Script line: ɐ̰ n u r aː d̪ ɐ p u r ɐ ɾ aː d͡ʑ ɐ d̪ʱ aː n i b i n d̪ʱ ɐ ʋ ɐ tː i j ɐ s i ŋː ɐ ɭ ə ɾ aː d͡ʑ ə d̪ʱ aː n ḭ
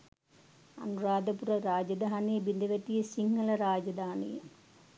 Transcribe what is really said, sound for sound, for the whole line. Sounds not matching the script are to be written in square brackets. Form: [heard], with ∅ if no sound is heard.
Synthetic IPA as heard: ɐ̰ n u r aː d̪ ɐ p u r ɐ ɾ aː d͡ʑ ɐ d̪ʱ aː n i b i n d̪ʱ ɐ ʋ ɐ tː i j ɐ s i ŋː ɐ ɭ [ɐ] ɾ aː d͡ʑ [ɐ] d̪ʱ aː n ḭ